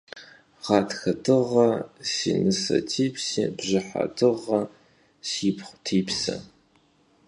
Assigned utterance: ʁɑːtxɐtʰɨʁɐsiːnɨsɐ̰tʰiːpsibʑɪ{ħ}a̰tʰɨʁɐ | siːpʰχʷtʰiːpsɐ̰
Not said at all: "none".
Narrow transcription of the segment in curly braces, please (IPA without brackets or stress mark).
ħ